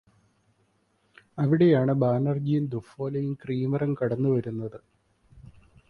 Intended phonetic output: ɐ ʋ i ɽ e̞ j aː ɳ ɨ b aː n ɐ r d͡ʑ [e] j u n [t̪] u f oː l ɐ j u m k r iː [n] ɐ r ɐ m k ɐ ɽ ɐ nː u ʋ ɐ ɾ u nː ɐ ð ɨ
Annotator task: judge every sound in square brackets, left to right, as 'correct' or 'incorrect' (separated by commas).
incorrect, incorrect, incorrect